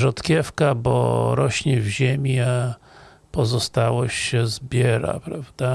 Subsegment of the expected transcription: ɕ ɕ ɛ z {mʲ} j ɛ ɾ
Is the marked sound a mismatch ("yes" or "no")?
yes